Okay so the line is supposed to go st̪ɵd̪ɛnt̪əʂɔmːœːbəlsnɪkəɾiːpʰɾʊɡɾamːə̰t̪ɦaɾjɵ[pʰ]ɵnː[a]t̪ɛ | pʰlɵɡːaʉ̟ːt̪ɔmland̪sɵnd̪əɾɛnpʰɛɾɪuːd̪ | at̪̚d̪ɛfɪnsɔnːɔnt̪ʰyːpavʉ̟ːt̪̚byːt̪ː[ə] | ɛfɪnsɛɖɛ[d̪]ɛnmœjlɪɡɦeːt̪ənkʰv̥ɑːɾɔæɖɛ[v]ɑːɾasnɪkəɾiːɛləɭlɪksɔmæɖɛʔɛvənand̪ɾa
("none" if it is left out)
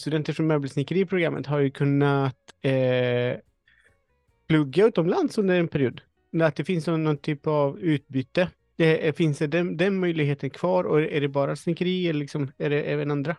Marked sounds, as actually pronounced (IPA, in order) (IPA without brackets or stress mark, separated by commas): kʰ, a, ə, d̪, b